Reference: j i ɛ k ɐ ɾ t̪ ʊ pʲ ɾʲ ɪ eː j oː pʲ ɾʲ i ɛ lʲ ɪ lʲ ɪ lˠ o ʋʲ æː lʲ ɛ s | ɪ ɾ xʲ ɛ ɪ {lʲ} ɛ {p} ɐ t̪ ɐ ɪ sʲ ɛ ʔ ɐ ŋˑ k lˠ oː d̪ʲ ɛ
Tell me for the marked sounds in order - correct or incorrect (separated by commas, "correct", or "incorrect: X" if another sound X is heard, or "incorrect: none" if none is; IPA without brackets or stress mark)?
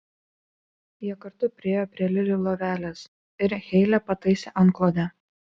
correct, correct